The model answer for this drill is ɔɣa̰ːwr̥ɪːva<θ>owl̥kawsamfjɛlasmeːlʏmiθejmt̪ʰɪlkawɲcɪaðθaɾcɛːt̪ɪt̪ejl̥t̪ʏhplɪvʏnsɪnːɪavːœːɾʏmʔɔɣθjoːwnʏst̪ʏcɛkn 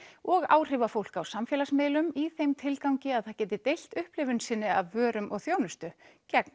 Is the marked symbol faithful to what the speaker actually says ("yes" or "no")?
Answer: no